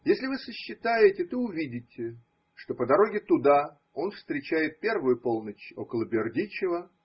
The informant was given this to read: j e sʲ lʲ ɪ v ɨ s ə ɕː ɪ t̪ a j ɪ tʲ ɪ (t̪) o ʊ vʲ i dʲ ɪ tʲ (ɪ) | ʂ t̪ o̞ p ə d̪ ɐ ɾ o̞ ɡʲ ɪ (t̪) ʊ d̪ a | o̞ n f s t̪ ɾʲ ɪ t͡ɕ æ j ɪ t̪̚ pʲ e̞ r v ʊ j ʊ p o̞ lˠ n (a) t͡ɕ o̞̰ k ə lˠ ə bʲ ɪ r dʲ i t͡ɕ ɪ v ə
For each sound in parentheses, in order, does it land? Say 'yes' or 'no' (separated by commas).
yes, yes, yes, no